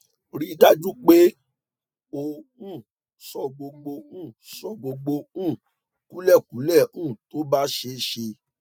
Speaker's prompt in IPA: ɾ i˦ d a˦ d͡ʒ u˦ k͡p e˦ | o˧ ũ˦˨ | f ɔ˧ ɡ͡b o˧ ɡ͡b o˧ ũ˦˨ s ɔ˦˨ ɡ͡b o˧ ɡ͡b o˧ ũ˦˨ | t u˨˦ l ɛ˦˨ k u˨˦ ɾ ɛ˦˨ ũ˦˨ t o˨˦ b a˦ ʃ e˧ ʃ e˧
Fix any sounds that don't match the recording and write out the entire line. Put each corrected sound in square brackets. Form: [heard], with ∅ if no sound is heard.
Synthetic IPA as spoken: ɾ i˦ d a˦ d͡ʒ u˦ k͡p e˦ | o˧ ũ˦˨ | [s] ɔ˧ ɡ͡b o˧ ɡ͡b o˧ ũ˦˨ s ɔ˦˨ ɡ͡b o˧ ɡ͡b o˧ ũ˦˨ | [k] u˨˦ l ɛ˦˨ k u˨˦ [l] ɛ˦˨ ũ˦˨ t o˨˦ b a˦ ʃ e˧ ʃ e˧